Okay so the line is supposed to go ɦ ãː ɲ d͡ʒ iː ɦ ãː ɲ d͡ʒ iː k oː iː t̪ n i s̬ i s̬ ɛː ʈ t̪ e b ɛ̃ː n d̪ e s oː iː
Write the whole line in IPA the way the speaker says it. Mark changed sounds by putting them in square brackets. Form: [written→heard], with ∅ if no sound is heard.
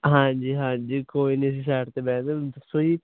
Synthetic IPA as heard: ɦ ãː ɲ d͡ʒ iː ɦ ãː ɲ d͡ʒ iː k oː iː [t̪→∅] n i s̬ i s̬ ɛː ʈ t̪ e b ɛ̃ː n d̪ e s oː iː